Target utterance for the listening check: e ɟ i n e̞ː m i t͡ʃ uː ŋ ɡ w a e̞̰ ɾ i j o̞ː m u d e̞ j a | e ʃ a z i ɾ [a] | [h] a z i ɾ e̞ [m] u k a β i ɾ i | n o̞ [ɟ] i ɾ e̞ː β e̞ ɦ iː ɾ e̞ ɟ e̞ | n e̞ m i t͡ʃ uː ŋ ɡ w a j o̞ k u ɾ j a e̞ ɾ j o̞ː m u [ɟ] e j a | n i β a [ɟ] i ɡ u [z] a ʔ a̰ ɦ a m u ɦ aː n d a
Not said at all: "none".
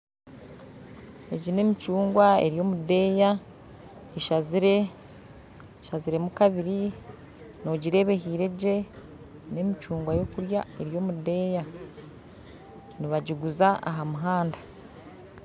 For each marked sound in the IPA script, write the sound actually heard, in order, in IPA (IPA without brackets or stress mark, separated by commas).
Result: e, ʃ, m, ɟ, d, ɟ, z